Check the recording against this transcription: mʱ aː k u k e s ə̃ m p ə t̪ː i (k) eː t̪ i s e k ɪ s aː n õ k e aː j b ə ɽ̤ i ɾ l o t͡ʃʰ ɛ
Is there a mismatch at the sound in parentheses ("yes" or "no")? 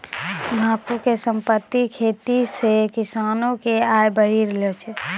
yes